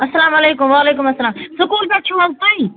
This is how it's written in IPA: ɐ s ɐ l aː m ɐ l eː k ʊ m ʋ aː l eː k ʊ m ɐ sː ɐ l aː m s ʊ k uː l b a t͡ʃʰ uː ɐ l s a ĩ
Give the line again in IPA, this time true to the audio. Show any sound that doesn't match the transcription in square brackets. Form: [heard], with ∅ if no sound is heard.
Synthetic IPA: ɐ s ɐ l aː m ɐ l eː k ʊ m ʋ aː l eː k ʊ m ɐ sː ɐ l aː m s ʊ k uː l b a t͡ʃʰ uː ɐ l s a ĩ

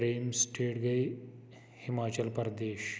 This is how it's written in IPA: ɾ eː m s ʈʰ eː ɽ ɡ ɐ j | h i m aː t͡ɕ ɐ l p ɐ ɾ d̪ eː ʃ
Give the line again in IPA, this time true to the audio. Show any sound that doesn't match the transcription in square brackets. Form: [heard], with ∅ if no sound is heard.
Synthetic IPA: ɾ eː m s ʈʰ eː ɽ ɡ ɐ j | h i m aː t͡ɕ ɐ l p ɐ ɾ d̪ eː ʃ

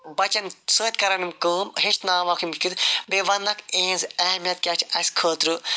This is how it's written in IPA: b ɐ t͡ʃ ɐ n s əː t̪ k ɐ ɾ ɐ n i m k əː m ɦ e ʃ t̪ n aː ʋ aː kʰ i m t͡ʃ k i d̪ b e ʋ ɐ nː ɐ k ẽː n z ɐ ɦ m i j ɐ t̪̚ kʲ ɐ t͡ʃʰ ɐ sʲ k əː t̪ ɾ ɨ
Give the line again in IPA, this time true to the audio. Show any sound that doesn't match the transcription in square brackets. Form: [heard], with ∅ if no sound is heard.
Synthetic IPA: b ɐ t͡ʃ ɐ n s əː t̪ k ɐ ɾ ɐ n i m k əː m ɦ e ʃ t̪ n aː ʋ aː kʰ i m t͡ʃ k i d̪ b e ʋ ɐ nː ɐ k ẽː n z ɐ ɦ m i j ɐ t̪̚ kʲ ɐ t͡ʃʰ ɐ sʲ [kʰ] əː t̪ ɾ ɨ

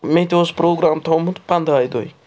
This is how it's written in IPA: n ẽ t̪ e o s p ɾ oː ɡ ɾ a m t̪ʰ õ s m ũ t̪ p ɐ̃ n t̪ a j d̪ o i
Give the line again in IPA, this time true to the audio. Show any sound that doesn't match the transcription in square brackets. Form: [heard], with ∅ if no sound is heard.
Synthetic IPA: [m] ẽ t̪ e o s p ɾ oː ɡ ɾ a m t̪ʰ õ [∅] m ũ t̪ p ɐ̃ n [d̪] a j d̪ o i

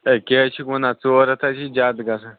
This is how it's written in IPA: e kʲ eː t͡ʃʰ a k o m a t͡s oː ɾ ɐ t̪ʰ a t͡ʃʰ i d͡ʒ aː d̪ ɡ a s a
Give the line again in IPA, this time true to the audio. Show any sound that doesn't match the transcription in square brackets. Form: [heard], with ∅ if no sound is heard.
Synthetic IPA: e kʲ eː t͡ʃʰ [i] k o [n] a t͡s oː ɾ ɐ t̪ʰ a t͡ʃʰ i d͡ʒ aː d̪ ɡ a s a

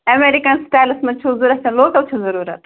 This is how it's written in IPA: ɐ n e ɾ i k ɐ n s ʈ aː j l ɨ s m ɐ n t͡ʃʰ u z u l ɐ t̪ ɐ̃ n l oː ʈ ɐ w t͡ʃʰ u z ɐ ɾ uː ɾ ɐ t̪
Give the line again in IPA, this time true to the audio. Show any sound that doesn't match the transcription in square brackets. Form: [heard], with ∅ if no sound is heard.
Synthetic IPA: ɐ [m] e ɾ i k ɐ n s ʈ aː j l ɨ s m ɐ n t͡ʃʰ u z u [ɾ] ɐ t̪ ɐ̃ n l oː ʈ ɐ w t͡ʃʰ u z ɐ ɾ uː ɾ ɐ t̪

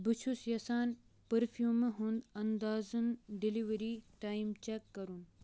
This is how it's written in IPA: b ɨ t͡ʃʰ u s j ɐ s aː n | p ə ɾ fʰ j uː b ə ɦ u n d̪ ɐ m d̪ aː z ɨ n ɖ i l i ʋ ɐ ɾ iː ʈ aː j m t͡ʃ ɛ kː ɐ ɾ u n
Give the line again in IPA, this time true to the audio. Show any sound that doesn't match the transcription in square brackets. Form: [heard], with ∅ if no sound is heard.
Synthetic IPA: b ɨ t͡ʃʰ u s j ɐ s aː n | p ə ɾ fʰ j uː [m] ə ɦ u n d̪ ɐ [n] d̪ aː z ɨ n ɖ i l i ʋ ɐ ɾ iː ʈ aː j m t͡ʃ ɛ kː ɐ ɾ u n

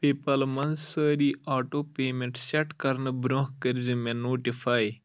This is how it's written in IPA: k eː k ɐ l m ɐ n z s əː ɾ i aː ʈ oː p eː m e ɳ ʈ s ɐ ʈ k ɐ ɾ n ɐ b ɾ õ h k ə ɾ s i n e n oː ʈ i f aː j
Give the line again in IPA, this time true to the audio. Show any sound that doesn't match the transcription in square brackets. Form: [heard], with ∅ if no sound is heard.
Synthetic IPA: [p] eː [p] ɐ l m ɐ n z s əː ɾ i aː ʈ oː p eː m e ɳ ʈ s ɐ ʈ k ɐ ɾ n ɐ b ɾ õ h k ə ɾ [z] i [m] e n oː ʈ i f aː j

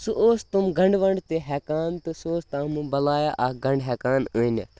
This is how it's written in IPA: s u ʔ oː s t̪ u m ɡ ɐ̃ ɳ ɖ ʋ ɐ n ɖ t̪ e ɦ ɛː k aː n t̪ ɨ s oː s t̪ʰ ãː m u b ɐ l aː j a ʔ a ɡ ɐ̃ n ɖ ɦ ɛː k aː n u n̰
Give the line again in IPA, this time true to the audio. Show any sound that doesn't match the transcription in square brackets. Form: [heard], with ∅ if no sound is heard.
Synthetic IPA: s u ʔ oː s t̪ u m ɡ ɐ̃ ɳ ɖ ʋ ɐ [ɳ] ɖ t̪ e ɦ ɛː k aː n t̪ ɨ s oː s [t̪] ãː m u b ɐ l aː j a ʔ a ɡ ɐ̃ [ɳ] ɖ ɦ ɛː k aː n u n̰

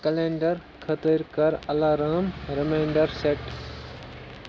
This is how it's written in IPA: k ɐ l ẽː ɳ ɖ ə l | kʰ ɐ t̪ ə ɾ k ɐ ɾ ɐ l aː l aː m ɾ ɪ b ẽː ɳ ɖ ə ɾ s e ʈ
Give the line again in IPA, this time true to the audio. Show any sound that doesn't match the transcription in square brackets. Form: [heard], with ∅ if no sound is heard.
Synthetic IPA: k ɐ l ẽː ɳ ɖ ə [ɾ] | kʰ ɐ t̪ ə ɾ k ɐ ɾ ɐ l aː [ɾ] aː m ɾ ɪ [m] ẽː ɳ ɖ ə ɾ s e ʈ

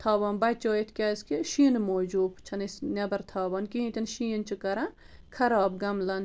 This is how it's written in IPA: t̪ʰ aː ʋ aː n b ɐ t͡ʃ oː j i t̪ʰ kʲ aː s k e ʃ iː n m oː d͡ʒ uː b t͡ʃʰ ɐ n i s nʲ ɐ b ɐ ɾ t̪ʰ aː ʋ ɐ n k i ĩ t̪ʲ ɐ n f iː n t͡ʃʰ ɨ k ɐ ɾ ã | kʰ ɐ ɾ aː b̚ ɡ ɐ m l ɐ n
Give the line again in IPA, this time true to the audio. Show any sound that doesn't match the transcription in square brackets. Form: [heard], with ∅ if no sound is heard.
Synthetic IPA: t̪ʰ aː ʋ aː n b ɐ t͡ʃ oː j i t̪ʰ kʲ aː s k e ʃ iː n m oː d͡ʒ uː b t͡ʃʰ ɐ n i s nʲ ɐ b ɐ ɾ t̪ʰ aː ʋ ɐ n k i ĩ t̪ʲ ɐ n [ʃ] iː n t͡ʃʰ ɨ k ɐ ɾ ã | kʰ ɐ ɾ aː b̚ ɡ ɐ m l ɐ n

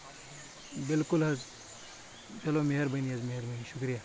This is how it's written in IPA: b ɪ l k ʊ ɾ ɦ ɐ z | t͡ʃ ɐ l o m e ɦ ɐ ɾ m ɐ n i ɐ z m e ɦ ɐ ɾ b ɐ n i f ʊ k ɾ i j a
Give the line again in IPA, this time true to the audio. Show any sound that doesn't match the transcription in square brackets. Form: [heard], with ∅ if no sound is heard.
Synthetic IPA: b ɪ l k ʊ [l] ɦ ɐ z | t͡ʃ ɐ l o m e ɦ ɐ ɾ [b] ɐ n i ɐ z m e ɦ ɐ ɾ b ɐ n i [ʃ] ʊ k ɾ i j a

